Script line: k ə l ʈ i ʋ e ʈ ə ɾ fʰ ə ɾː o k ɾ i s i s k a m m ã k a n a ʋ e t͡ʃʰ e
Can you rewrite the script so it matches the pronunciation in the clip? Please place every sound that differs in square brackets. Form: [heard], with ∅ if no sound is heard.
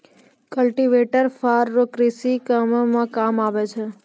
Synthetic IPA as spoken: k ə l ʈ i ʋ e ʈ ə ɾ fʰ [a] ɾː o k ɾ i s i [∅] k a m m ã k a [m] a ʋ e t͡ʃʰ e